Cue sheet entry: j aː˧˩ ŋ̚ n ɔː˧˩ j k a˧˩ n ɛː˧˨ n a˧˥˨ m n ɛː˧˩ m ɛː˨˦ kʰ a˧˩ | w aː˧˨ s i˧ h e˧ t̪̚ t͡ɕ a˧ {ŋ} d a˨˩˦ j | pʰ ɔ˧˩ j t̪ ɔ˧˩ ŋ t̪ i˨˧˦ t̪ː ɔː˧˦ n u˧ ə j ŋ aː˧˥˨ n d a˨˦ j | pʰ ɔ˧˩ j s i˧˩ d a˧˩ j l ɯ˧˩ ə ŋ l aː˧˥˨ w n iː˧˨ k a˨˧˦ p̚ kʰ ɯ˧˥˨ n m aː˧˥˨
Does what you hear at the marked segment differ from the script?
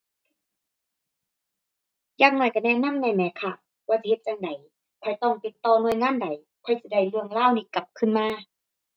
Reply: no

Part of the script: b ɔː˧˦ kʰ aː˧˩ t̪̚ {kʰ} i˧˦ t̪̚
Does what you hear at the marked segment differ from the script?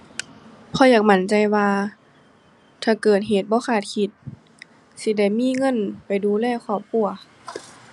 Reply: no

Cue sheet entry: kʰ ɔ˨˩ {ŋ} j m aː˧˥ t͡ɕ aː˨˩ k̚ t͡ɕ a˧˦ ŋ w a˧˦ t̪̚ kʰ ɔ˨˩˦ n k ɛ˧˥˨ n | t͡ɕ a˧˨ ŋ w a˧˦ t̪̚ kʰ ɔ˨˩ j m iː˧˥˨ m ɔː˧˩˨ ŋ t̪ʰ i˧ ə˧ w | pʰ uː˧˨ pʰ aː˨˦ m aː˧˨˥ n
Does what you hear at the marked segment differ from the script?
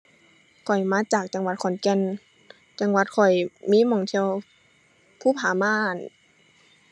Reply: yes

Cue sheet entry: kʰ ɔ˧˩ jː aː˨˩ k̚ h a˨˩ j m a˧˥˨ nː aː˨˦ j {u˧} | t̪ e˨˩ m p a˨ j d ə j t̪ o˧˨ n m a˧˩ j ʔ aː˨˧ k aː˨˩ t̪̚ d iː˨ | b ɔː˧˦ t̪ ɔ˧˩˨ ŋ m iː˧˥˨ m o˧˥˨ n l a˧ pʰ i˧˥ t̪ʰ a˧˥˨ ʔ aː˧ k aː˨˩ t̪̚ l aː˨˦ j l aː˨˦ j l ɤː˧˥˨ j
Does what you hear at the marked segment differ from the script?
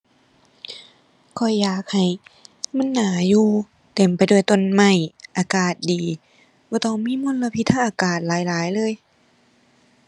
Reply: yes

